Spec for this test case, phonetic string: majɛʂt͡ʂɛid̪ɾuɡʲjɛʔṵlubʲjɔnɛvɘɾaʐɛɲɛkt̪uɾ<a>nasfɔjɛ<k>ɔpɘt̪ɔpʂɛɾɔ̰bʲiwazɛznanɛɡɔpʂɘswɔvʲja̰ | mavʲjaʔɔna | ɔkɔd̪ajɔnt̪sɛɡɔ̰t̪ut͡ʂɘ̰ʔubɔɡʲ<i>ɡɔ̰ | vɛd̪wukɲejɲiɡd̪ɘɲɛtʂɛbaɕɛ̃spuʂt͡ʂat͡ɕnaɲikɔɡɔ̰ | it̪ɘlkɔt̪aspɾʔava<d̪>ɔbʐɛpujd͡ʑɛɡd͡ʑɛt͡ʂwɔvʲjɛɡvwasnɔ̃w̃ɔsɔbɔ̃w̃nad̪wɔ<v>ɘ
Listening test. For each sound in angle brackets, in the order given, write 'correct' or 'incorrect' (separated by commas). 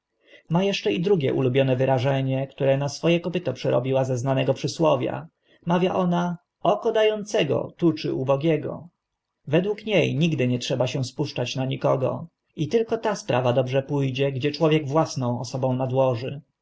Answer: incorrect, correct, incorrect, correct, incorrect